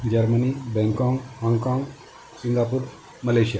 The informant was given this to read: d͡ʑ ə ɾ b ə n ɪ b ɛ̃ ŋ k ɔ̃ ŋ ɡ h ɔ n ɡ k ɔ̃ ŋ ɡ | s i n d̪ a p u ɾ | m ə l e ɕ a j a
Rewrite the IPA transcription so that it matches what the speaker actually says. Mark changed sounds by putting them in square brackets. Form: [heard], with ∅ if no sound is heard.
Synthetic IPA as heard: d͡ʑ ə ɾ [m] ə n [i] b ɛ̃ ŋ k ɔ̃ ŋ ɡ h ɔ [ŋ] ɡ k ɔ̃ ŋ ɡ | s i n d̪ a p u ɾ | m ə l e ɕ [i] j a